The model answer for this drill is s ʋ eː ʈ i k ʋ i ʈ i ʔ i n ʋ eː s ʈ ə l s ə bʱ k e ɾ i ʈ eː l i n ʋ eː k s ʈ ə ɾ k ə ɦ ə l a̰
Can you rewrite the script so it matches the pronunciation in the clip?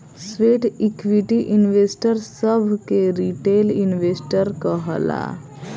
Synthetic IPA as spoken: s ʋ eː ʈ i k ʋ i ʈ i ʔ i n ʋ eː s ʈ ə ɾ s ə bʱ k e ɾ i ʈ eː l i n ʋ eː s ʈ ə ɾ k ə ɦ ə l a̰